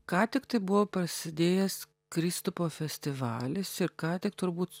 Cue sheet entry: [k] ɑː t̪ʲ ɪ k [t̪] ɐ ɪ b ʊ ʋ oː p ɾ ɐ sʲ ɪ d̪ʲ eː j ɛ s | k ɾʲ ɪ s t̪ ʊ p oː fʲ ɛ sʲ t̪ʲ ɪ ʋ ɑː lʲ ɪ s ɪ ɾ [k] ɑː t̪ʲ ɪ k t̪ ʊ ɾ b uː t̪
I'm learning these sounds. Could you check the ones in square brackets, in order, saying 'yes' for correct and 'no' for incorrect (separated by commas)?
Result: yes, yes, yes